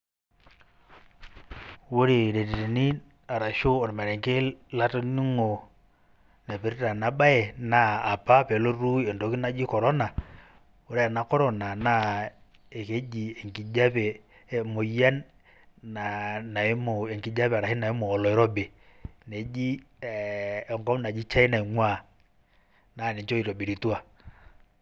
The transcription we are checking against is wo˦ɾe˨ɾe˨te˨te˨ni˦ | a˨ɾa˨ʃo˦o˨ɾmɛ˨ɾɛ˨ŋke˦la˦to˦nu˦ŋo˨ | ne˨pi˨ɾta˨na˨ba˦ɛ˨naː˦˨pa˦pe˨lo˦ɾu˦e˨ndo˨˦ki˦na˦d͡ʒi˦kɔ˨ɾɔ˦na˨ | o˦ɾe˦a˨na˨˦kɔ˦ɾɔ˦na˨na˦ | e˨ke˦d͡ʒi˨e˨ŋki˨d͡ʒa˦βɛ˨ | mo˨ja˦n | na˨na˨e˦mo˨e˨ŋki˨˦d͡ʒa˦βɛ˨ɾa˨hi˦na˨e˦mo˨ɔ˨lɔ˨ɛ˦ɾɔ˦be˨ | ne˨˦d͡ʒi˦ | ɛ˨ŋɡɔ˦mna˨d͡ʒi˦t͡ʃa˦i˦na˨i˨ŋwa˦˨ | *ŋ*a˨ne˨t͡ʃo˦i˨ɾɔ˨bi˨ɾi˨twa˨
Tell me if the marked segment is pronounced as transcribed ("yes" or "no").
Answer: no